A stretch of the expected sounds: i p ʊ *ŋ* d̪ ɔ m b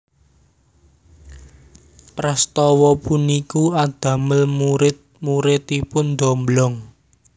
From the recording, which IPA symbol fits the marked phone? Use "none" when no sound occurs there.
n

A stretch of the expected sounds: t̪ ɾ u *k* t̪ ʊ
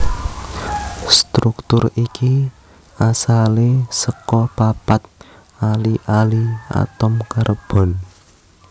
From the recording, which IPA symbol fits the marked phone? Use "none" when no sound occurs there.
k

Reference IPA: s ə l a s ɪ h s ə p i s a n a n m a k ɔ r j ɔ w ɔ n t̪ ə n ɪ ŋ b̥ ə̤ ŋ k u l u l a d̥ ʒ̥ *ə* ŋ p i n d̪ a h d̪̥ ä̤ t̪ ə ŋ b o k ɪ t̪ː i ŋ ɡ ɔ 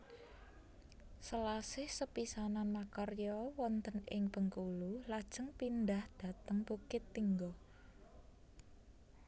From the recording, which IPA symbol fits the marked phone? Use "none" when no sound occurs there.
ə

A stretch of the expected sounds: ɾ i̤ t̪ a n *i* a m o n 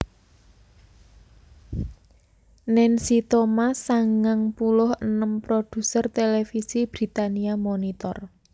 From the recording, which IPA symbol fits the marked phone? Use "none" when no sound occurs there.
i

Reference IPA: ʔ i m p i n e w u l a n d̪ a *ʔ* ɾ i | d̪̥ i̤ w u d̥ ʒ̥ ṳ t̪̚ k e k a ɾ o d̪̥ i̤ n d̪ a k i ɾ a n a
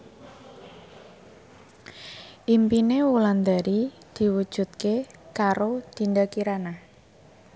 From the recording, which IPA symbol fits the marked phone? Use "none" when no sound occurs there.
none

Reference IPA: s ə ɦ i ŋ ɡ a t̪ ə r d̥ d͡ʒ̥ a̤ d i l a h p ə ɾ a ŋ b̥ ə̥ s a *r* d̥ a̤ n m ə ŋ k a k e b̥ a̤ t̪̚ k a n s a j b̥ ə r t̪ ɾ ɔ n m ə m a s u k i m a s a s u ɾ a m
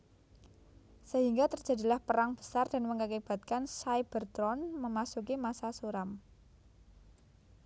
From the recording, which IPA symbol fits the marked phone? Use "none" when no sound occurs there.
r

